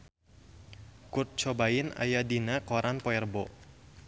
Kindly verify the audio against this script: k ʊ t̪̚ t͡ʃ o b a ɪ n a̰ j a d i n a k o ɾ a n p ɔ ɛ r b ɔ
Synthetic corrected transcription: k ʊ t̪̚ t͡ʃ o b a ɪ n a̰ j a d i n a k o ɾ a n p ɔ ɛ r b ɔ